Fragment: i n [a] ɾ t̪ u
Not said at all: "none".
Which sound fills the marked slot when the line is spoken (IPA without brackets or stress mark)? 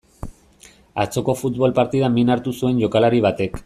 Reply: a